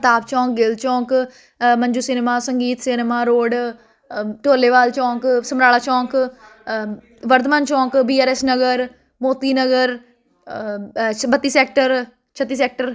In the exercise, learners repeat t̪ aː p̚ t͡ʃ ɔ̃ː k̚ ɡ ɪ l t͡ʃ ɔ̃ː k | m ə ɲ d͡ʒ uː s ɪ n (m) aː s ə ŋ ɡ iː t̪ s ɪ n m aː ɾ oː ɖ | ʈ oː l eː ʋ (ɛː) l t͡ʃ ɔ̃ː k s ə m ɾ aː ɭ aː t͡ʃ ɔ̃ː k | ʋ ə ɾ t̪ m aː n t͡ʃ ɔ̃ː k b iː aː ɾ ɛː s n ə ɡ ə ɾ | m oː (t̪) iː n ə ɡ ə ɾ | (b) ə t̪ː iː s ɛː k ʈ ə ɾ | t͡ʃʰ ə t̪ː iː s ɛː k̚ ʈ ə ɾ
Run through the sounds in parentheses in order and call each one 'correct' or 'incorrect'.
correct, incorrect: aː, correct, correct

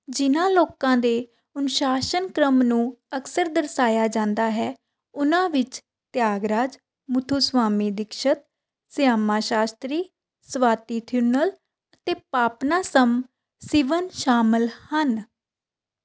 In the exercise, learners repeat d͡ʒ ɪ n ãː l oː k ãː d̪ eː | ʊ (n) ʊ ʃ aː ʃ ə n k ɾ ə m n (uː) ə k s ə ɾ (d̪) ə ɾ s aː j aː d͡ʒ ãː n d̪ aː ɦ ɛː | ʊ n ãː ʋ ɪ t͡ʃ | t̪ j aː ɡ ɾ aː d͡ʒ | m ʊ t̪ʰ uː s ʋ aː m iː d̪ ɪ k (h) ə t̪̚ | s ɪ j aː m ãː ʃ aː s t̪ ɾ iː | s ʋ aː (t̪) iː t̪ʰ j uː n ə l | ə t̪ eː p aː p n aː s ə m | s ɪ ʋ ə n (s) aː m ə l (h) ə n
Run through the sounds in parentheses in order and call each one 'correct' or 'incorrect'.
correct, incorrect: ũː, correct, incorrect: ʃ, correct, incorrect: ʃ, correct

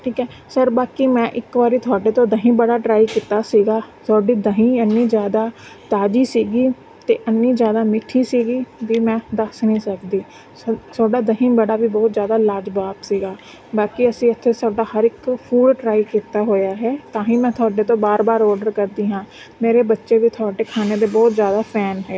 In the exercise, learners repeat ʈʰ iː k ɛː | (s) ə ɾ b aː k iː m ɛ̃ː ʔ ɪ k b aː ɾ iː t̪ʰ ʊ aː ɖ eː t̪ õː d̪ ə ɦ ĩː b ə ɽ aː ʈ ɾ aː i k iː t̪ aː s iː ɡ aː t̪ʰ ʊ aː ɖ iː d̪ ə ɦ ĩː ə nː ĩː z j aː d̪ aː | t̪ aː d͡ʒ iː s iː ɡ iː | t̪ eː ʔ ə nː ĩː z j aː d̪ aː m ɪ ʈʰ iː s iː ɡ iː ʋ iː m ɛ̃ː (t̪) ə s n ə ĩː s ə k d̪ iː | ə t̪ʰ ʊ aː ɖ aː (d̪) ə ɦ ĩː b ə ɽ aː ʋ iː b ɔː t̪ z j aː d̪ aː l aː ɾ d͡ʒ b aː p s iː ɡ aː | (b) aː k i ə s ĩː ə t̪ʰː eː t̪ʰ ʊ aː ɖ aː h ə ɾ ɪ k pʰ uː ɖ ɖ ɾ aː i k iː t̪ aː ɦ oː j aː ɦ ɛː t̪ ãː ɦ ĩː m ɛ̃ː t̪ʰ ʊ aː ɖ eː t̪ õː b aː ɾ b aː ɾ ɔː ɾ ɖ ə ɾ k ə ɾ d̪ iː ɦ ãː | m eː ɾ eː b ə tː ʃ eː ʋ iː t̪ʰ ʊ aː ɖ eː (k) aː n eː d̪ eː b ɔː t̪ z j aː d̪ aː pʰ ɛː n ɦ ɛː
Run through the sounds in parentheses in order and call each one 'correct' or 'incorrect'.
correct, incorrect: d̪, correct, correct, incorrect: kʰ

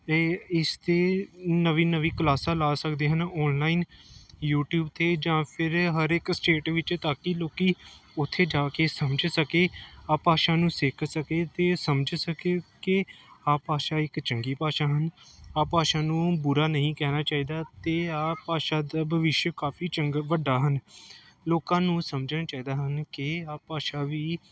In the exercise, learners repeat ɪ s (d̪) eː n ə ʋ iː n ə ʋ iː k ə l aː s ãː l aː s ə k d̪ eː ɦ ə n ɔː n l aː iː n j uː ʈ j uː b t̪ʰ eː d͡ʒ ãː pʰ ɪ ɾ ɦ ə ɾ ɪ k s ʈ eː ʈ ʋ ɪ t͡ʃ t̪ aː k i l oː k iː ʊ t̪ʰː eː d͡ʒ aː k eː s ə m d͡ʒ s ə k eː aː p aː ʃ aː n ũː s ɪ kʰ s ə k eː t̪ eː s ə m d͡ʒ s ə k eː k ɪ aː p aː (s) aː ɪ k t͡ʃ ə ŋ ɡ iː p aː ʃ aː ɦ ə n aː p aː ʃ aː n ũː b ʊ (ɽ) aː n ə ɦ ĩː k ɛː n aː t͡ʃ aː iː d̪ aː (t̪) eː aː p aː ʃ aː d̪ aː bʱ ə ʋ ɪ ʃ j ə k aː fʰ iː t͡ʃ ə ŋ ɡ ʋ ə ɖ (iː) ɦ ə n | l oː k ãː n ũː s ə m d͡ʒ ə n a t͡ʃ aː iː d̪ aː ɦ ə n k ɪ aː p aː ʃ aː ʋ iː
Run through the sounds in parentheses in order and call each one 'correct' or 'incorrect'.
incorrect: t̪, incorrect: ʃ, incorrect: ɾ, correct, incorrect: aː

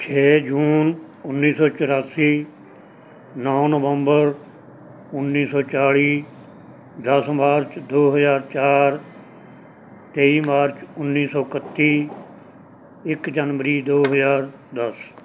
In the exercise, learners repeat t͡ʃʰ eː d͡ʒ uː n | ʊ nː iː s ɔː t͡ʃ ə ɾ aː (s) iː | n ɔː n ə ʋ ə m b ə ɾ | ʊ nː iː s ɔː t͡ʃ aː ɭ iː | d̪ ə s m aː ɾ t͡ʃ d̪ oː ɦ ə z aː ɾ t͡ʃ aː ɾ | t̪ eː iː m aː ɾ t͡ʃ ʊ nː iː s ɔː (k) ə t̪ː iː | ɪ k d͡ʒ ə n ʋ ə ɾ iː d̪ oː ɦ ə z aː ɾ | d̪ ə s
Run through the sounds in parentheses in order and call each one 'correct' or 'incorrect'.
correct, correct

